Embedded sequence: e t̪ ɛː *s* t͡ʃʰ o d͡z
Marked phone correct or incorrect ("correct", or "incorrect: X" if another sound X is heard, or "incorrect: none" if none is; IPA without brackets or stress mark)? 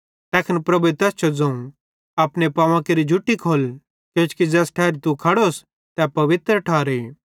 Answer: correct